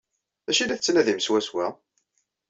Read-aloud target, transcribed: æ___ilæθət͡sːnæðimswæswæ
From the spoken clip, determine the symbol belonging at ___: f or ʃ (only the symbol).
ʃ